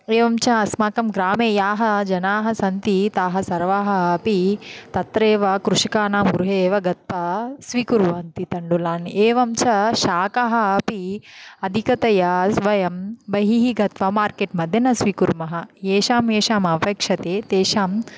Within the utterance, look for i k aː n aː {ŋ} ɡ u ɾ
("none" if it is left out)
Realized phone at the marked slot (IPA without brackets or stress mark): m